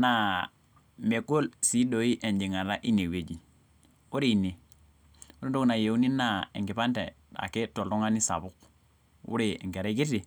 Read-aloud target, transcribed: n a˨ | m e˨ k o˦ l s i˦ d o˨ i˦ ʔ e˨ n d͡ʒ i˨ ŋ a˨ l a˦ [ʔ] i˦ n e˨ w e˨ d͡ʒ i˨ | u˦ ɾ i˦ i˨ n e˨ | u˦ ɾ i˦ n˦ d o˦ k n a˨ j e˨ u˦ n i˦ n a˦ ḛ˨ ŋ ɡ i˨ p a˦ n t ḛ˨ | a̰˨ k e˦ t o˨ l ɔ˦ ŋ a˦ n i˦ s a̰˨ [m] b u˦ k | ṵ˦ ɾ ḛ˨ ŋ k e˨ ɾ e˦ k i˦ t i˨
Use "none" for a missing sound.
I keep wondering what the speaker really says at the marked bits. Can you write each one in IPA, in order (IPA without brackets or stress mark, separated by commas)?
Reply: ʔ, none